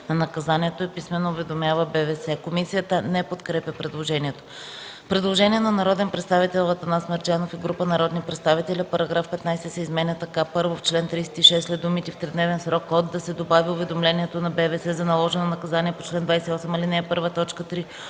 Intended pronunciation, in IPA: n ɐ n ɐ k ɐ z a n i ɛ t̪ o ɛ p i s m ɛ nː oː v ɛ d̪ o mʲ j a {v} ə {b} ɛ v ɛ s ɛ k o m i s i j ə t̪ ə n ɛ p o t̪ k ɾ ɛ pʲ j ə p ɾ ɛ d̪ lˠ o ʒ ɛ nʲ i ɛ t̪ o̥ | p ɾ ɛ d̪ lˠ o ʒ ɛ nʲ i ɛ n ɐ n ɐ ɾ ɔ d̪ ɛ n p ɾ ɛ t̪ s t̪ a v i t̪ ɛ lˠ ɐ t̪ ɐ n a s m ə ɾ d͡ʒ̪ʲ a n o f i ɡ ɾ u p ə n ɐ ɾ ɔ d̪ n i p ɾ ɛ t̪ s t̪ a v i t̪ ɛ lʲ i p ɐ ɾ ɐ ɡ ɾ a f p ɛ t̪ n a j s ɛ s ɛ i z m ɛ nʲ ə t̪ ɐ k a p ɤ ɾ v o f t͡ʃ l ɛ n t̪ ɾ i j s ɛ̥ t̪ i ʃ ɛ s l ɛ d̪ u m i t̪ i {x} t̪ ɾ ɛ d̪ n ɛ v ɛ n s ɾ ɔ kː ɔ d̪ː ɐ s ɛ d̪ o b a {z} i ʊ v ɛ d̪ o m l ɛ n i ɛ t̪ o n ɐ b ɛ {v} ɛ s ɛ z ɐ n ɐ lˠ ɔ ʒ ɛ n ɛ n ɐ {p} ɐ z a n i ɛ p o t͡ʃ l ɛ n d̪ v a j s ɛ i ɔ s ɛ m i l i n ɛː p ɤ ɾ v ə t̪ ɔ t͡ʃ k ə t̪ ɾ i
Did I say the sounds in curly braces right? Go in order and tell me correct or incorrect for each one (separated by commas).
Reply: correct, correct, incorrect, incorrect, correct, incorrect